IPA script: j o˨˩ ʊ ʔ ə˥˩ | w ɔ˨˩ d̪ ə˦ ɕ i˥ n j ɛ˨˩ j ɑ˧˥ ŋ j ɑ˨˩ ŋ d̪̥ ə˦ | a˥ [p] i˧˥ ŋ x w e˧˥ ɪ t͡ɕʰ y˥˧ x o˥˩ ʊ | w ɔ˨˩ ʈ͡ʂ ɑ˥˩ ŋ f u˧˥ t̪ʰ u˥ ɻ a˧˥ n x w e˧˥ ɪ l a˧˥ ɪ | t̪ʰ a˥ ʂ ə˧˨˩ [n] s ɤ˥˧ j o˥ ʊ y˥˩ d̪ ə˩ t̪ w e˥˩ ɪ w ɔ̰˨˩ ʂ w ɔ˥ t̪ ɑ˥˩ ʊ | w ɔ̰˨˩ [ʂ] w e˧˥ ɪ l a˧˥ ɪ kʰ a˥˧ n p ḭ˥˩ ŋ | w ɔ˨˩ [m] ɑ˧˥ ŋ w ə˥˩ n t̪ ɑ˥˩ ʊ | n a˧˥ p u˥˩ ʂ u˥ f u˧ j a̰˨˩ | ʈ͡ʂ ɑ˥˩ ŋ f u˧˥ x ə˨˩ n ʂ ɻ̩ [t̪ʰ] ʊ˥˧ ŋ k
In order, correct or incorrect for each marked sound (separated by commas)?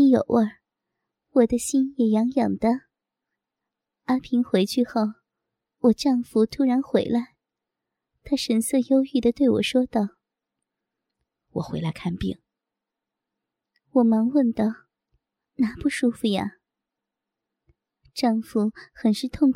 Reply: incorrect, correct, incorrect, correct, correct